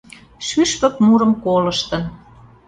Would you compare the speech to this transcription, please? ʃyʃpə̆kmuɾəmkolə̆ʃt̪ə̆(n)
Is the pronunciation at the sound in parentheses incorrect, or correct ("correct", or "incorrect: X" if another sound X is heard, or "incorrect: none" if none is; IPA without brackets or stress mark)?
correct